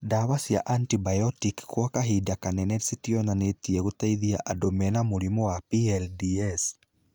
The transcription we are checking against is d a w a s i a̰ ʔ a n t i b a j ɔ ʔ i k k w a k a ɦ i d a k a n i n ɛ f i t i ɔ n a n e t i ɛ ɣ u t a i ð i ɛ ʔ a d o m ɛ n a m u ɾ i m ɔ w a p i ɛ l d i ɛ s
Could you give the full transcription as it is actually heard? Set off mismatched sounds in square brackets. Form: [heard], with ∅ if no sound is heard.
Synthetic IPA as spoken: d a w a s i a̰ ʔ a n t i b a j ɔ [t] i k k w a k a ɦ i d a k a n [ɛ] n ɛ [s] i t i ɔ n a n e t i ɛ ɣ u t a i ð i [a] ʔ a d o m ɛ n a m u ɾ i m ɔ w a p i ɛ l d i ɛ s